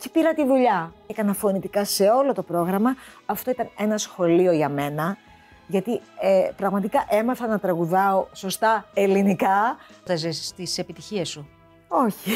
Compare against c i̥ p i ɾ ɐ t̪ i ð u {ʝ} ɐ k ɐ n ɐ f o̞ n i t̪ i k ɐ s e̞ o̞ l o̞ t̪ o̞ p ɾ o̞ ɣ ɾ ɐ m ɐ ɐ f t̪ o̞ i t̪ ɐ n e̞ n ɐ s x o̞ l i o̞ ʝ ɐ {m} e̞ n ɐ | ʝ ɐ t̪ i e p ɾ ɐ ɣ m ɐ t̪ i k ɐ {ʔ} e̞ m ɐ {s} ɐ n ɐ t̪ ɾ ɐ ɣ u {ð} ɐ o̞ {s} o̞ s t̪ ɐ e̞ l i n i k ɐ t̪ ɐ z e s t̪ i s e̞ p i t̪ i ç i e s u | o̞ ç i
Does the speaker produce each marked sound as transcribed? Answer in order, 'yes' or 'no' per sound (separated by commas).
no, yes, yes, no, yes, yes